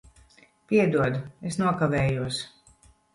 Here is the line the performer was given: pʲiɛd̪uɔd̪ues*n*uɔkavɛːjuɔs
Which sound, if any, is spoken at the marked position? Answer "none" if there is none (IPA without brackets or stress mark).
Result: n